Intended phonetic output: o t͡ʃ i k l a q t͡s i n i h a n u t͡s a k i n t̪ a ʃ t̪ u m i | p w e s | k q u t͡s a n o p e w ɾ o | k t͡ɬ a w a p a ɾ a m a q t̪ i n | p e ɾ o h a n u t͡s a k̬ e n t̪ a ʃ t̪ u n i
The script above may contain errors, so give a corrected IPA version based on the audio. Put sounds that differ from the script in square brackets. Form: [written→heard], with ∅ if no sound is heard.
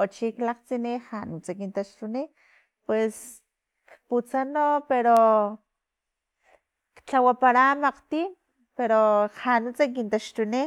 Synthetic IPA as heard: o t͡ʃ i k l a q t͡s i n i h a n u t͡s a k i n t̪ a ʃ t̪ u [m→n] i | p w e s | k [q→p] u t͡s a n o p e [w→∅] ɾ o | k t͡ɬ a w a p a ɾ a m a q t̪ i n | p e ɾ o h a n u t͡s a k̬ [e→i] n t̪ a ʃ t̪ u n i